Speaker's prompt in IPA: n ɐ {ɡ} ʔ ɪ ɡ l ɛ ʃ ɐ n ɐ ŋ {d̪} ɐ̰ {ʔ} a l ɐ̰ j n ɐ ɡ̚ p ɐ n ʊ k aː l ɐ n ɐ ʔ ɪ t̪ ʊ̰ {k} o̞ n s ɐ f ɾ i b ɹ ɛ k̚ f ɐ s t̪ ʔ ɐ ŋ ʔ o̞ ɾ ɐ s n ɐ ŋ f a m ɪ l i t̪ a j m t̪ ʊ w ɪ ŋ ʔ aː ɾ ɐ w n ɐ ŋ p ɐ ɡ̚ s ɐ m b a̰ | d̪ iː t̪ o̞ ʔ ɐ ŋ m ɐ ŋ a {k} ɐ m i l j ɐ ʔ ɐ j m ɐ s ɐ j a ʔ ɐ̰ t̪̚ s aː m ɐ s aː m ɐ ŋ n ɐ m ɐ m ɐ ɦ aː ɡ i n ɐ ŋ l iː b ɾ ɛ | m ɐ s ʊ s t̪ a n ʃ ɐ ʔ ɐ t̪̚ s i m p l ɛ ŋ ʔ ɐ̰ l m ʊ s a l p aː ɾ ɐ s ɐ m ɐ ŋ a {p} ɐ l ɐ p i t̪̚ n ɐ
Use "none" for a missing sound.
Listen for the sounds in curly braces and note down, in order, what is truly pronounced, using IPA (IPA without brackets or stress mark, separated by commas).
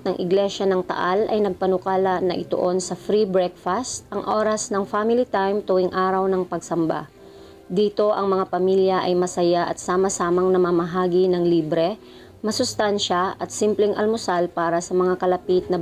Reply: ŋ, t̪, ʔ, ʔ, p, k